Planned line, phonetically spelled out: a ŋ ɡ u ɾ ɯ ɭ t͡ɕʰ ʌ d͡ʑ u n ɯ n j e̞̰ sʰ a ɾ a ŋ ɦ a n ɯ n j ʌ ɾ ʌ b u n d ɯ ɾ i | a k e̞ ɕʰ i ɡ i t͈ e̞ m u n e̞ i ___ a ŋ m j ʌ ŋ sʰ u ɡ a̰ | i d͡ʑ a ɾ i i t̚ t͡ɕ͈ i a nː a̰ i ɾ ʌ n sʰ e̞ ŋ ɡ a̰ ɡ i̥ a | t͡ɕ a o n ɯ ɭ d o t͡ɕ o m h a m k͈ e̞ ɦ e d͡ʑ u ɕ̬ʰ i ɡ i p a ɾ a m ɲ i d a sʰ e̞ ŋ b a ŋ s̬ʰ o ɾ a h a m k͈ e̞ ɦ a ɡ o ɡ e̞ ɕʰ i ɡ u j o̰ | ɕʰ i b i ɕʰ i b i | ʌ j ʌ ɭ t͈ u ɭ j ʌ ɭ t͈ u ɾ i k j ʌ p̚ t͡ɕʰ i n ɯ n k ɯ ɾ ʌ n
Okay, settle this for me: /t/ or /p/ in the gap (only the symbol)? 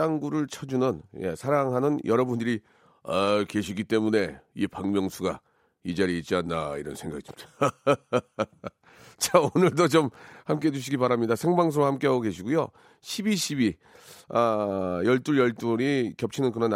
p